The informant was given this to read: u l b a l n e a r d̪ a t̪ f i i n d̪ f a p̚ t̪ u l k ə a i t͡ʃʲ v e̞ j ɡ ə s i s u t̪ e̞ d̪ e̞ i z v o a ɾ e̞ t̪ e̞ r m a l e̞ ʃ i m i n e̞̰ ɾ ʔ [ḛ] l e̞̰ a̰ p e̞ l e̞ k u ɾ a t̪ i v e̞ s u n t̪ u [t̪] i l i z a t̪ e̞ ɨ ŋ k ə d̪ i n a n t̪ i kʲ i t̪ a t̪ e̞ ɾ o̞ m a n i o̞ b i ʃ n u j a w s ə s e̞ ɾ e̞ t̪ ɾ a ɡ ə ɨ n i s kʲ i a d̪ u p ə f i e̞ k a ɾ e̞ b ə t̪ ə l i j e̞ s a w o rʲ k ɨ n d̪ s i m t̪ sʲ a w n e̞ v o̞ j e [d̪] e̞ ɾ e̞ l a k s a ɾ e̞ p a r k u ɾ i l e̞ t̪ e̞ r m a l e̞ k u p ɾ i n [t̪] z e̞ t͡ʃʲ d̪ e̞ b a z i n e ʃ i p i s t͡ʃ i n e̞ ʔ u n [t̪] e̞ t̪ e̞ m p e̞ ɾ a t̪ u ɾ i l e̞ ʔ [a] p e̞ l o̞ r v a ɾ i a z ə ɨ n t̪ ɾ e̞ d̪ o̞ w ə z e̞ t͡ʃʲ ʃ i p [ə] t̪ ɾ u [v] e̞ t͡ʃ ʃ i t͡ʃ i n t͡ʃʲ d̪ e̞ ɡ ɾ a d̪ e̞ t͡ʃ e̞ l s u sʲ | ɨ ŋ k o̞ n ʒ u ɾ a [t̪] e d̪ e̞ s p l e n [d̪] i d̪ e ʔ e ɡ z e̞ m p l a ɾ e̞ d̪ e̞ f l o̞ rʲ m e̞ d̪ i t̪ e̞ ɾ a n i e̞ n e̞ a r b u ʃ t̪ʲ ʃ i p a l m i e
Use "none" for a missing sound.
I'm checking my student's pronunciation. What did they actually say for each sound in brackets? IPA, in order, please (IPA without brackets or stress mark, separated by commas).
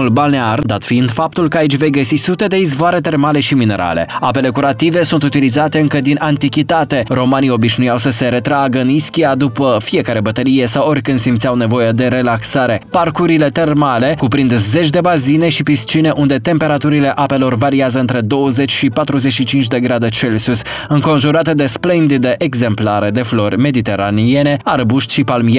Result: a̰, t̪, d̪, d̪, d̪, a, a, z, t̪, d̪